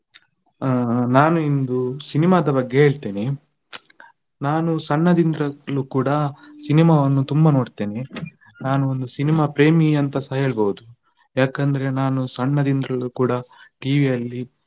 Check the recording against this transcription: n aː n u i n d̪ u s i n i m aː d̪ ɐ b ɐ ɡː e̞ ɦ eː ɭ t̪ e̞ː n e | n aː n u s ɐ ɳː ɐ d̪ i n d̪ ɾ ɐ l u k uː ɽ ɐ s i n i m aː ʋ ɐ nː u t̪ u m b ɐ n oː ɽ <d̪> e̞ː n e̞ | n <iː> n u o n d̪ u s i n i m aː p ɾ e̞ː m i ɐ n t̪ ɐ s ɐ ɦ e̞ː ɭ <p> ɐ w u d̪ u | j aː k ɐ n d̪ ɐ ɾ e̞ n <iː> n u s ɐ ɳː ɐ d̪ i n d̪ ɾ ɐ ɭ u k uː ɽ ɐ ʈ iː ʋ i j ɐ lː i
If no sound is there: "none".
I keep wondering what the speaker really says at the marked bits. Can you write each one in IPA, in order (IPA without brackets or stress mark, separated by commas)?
t̪, aː, b, aː